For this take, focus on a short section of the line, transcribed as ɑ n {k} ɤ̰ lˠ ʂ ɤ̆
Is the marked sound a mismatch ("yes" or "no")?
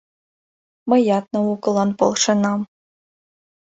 yes